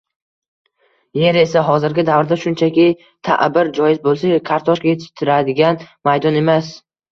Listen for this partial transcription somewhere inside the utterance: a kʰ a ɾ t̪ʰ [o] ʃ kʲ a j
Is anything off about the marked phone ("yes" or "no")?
yes